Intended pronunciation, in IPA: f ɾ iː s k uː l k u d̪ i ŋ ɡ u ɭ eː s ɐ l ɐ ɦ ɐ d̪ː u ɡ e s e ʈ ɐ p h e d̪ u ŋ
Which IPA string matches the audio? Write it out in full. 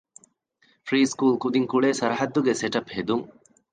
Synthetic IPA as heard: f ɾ iː s k uː l k u d̪ i ŋ k u ɭ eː s ɐ ɾ ɐ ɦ ɐ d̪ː u ɡ e s e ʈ ɐ p h e d̪ u ŋ